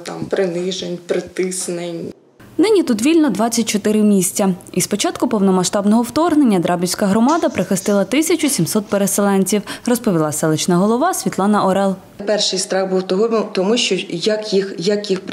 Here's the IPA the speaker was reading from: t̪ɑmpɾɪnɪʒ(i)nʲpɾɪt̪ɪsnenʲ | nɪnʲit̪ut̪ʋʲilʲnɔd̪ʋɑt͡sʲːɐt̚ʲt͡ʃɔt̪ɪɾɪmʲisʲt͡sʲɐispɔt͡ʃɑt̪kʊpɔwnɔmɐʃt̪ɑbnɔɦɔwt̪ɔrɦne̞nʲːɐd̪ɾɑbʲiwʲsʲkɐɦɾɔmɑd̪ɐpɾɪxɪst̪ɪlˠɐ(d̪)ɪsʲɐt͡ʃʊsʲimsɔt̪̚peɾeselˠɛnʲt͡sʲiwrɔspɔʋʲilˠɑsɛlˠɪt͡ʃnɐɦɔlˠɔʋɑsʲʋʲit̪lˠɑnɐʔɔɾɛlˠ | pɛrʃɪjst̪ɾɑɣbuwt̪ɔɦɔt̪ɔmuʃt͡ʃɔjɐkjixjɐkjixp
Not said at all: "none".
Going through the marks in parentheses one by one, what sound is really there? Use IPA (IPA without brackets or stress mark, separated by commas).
e, t̪